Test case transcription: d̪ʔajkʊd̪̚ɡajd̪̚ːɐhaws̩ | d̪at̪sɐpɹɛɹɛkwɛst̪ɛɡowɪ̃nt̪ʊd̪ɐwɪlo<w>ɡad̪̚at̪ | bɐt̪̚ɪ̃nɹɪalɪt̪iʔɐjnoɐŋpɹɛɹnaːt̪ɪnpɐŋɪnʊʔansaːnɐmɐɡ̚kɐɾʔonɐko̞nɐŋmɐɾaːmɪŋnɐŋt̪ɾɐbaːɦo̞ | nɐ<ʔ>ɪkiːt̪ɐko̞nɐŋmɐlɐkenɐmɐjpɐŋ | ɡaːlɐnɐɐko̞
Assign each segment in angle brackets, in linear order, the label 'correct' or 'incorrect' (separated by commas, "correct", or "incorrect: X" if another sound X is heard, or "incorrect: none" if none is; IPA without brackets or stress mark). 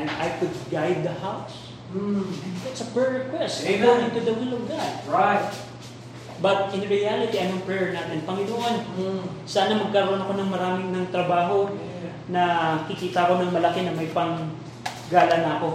incorrect: v, incorrect: k